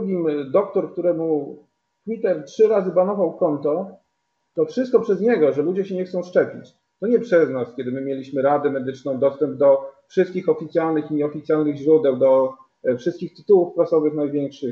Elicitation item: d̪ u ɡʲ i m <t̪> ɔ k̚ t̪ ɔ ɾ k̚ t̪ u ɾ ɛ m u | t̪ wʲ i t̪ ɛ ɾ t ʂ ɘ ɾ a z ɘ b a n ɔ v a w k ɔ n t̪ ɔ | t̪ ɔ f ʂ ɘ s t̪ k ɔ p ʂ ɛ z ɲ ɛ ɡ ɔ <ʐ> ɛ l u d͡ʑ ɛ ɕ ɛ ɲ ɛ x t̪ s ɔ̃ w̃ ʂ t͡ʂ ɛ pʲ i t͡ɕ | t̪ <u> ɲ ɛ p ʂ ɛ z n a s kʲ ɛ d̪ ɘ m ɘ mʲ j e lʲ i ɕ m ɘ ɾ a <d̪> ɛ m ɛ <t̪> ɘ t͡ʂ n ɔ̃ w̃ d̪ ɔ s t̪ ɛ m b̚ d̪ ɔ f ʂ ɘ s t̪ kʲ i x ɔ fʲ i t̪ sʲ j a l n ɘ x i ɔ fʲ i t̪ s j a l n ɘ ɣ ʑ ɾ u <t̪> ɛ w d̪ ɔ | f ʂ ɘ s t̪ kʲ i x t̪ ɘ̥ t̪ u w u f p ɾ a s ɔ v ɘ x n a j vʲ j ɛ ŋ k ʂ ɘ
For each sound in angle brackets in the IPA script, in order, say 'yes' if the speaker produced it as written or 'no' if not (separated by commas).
no, yes, no, yes, no, no